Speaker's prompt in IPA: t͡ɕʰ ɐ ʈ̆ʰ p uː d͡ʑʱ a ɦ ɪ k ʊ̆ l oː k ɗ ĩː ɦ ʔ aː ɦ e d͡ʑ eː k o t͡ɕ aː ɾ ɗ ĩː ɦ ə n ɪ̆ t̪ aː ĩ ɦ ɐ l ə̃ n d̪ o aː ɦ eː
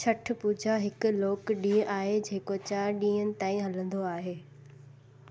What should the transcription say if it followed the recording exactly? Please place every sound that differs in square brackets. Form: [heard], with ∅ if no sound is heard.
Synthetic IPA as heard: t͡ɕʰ ɐ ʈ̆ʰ p uː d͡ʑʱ a ɦ ɪ k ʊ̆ l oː k ɗ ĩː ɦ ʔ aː ɦ e d͡ʑ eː k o t͡ɕ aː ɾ ɗ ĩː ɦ ə n ɪ̆ t̪ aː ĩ ɦ ɐ l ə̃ n d̪ o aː ɦ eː